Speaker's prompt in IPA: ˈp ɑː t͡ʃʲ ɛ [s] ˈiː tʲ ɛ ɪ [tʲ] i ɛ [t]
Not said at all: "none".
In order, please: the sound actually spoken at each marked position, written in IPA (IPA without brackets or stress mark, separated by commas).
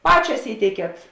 s, kʲ, t